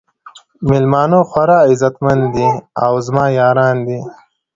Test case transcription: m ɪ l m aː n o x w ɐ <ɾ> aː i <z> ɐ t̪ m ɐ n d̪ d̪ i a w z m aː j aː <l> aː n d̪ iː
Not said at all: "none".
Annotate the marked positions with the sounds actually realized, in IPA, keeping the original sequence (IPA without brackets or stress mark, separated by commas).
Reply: ɾ, z, ɾ